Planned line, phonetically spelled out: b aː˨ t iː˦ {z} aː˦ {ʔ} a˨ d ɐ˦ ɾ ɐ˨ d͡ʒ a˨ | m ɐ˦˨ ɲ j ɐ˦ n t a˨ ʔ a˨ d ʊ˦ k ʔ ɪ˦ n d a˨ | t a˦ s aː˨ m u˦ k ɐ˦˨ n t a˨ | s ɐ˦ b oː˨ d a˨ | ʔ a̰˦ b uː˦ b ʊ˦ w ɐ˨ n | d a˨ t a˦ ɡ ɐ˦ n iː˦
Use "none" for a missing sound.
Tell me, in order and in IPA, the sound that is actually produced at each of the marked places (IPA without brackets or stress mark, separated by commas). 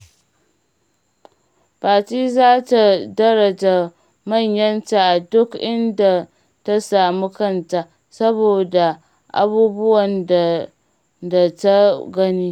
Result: z, t